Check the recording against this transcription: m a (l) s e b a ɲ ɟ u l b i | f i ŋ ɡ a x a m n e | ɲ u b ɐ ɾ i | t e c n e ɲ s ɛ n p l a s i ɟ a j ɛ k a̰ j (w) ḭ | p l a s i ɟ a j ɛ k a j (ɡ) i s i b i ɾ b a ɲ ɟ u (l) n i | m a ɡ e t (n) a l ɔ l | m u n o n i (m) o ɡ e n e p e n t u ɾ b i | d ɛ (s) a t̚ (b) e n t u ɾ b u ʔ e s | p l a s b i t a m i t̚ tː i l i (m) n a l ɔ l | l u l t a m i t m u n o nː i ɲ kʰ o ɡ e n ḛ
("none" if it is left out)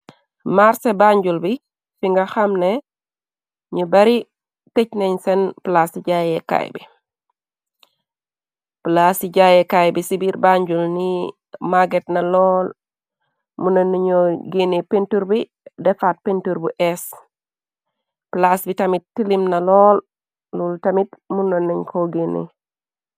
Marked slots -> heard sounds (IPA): ɾ, b, b, l, n, ɲ, f, p, m

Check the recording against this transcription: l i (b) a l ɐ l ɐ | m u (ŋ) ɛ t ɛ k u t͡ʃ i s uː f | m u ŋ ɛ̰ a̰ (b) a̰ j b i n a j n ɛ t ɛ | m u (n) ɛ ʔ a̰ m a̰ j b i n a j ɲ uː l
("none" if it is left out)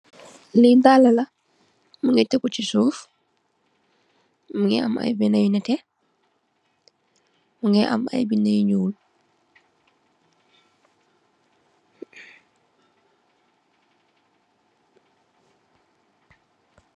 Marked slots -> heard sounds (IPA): d, ŋ, m, ŋ

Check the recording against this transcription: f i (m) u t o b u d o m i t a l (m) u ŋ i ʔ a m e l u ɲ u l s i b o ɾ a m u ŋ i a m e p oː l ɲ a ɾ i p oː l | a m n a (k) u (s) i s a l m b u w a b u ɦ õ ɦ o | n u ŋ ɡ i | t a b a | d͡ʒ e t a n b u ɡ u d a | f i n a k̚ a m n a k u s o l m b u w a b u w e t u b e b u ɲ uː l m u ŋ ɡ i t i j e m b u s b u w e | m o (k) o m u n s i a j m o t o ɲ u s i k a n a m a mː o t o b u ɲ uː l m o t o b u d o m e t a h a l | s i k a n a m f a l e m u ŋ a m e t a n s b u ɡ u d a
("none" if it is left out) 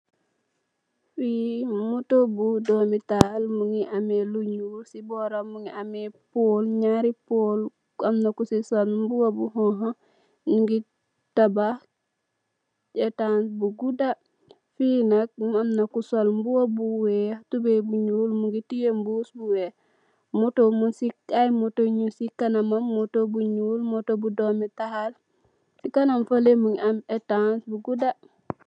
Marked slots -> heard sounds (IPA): m, m, k, s, t

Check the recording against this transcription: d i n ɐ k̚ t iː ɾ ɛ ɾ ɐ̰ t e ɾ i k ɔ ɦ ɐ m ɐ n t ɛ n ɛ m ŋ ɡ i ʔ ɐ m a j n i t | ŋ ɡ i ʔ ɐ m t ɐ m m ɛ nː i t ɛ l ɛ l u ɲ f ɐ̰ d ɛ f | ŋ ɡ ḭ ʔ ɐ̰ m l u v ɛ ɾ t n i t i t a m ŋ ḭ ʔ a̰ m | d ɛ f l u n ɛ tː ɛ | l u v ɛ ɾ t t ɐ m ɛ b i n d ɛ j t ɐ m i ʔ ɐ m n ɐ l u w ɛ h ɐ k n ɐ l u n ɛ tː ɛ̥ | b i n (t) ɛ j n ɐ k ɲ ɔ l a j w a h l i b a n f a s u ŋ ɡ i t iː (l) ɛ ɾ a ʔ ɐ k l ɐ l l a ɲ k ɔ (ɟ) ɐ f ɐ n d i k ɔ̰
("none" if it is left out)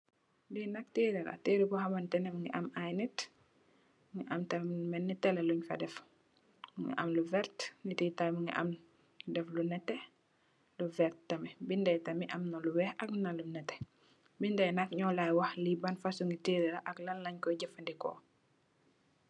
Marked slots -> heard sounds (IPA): d, ɾ, ɟ

